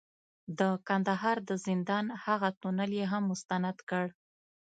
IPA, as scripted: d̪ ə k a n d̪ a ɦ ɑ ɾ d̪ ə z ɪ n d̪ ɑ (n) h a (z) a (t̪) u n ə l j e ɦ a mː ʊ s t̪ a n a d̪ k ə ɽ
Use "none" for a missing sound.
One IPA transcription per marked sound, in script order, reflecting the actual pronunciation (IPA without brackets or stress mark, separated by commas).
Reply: n, ɣ, t̪